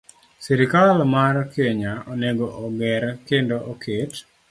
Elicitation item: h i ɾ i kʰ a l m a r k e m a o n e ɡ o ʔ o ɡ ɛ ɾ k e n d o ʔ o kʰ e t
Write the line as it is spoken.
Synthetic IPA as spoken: s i ɾ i k a l m a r k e ɲ a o n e ɡ o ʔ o ɡ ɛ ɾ k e n d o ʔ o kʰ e t

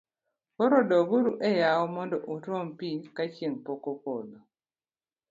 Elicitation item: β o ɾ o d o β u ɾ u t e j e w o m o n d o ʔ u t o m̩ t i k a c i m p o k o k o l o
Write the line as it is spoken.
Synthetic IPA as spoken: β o ɾ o d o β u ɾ u ʔ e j a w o m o n d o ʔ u t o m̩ p i k a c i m p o k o k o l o

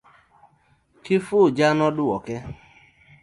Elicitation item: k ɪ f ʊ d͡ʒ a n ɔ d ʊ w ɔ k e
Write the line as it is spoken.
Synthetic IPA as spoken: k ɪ f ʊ d͡ʒ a n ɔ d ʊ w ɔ k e

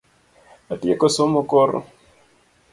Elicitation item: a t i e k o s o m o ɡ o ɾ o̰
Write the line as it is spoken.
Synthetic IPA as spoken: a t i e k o s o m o k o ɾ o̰

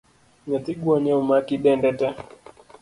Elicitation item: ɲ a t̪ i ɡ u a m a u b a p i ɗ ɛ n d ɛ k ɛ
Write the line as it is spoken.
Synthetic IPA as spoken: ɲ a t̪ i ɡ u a ɲ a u m a k i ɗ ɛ n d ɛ t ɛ

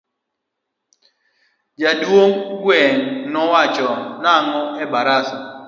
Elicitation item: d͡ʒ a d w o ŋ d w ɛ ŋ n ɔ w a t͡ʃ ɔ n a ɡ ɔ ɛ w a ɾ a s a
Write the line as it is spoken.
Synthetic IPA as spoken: d͡ʒ a d w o ŋ ɡ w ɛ ŋ n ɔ w a t͡ʃ ɔ n a ŋ ɔ ɛ b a ɾ a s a

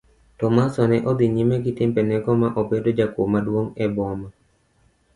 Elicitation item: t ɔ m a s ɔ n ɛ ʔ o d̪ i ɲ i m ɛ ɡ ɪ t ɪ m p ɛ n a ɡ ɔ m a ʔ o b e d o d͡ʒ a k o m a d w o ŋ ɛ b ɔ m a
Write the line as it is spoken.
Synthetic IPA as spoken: t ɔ m a s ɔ n ɛ ʔ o d̪ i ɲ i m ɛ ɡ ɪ t ɪ m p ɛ n ɛ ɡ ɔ m a ʔ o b e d o d͡ʒ a k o m a d w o ŋ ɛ b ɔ m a

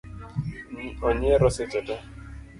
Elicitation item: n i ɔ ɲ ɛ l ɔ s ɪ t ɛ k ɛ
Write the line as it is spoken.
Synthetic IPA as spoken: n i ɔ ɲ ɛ ɾ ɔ s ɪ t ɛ t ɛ

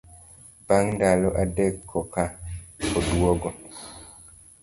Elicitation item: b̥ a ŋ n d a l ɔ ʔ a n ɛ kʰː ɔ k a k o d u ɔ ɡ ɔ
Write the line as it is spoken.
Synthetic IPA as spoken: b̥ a ŋ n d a l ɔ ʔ a d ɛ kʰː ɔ k a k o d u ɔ ɡ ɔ

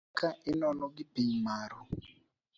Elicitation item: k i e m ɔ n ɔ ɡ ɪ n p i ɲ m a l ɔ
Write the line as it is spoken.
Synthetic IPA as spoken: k a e n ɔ n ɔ ɡ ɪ p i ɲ m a ɾ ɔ

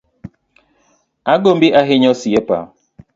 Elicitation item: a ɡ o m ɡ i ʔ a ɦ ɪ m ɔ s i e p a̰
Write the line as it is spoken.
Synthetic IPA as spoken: a ɡ o m b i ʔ a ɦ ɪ ɲ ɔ s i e p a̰

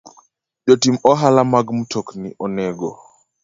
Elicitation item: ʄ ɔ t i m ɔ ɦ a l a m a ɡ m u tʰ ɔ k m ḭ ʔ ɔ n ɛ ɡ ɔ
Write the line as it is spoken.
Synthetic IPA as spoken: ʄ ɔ t i m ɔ ɦ a l a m a ɡ m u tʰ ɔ k n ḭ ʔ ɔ n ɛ ɡ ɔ

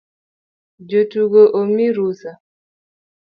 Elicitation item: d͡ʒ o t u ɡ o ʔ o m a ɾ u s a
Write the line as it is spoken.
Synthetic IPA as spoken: d͡ʒ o t u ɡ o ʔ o m i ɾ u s a

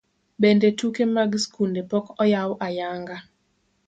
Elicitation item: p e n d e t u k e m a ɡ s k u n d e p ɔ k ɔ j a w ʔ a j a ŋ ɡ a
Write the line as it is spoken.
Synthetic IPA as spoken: b e n d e t u k e m a ɡ s k u n d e p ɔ k ɔ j a w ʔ a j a ŋ ɡ a

